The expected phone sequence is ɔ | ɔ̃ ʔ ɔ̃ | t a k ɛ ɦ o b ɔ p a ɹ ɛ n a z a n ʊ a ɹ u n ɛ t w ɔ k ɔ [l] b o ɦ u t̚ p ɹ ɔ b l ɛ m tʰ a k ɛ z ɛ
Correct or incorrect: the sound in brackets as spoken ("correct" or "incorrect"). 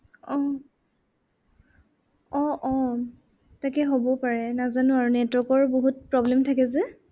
incorrect